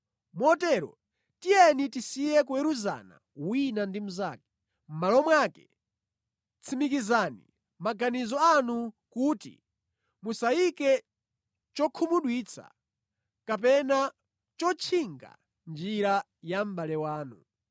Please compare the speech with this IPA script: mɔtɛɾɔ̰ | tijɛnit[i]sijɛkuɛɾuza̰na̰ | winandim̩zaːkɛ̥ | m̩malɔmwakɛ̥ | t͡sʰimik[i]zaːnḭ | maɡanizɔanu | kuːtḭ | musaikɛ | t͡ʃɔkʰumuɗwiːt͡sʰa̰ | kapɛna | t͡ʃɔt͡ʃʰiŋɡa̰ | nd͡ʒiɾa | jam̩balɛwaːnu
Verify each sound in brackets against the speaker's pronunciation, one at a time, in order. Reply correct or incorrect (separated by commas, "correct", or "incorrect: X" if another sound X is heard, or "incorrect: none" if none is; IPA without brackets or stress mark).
correct, correct